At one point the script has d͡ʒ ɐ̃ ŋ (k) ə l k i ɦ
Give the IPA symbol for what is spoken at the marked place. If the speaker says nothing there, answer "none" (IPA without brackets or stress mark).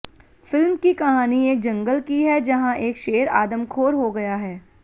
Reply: ɡ